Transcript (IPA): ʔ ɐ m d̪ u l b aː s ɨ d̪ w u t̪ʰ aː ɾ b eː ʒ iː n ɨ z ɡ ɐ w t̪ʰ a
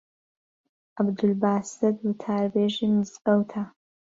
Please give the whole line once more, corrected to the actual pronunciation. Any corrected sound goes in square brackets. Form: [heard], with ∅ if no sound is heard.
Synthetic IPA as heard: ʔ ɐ [b] d̪ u l b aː s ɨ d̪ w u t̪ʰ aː ɾ b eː ʒ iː [m] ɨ z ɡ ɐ w t̪ʰ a